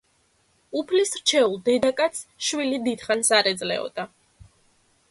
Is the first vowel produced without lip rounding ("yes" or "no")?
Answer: no